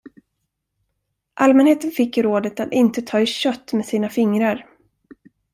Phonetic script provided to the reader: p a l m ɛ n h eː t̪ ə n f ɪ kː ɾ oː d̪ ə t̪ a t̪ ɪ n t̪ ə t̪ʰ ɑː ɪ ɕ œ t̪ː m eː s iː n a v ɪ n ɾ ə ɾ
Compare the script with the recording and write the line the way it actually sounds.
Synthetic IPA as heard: ʔ a l m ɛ n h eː t̪ ə n f ɪ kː ɾ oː d̪ ə t̪ a t̪ ɪ n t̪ ə t̪ʰ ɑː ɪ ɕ œ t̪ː m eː s iː n a f ɪ ŋ ɾ a ɾ